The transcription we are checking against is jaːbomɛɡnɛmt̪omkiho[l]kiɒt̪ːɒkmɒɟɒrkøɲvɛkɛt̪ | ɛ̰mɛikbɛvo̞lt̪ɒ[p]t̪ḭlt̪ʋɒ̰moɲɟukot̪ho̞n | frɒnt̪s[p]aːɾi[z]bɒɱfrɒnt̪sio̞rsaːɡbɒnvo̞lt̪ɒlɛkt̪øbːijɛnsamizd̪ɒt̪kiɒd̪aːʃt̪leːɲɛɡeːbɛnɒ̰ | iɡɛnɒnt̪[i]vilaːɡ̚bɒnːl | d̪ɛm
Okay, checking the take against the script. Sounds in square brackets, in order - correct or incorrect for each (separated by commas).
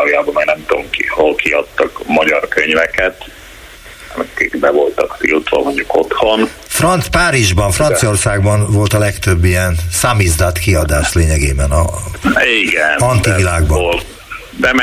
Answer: correct, incorrect, correct, incorrect, correct